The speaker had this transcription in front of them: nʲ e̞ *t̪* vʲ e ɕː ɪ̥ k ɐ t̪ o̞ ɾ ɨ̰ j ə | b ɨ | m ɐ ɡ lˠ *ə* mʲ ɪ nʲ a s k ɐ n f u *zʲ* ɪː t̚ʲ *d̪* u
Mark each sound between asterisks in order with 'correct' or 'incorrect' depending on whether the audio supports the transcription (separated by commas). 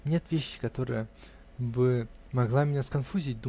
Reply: correct, incorrect, correct, correct